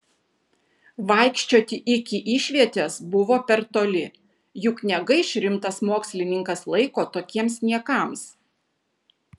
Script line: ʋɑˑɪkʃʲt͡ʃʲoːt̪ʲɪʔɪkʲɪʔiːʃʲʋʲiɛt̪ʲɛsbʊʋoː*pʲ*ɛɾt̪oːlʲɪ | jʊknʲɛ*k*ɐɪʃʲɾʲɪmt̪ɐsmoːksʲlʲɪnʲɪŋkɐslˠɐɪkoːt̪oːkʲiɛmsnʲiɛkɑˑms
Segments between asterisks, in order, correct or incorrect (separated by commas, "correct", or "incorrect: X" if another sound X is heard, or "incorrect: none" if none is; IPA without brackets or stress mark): correct, incorrect: ɡ